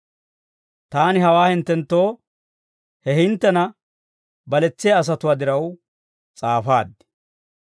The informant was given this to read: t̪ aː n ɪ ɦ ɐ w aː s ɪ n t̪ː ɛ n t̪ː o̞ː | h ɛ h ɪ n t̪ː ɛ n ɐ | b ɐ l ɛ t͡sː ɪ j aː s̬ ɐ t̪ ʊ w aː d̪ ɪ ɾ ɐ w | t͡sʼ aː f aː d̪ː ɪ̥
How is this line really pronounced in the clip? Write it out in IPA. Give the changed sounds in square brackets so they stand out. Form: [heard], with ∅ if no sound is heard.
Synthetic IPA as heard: t̪ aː n ɪ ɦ ɐ w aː [h] ɪ n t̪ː ɛ n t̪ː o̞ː | h ɛ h ɪ n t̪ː ɛ n ɐ | b ɐ l ɛ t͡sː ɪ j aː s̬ ɐ t̪ ʊ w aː d̪ ɪ ɾ ɐ w | t͡sʼ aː f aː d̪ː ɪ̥